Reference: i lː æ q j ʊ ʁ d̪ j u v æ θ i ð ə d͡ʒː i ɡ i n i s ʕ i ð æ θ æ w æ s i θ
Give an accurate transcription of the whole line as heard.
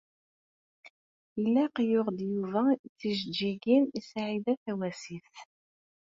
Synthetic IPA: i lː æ q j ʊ ʁ d̪ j u v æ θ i ʒ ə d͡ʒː i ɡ i n i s ʕ i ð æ θ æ w æ s i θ